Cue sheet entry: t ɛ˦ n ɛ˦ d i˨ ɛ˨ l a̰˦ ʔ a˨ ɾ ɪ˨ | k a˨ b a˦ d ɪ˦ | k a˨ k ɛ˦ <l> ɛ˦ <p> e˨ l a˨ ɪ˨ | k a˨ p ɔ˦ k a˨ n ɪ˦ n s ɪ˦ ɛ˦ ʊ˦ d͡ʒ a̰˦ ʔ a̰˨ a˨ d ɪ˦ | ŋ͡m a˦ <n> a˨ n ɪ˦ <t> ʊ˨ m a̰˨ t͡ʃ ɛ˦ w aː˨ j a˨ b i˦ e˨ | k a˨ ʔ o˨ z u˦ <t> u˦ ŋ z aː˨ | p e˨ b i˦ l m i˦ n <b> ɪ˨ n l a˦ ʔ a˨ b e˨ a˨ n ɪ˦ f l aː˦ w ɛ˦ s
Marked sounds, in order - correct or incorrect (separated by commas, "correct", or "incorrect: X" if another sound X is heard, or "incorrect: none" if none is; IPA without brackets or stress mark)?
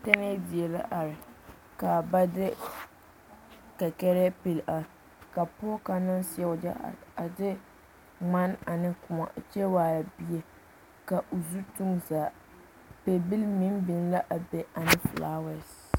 incorrect: ɾ, correct, correct, incorrect: k, correct, correct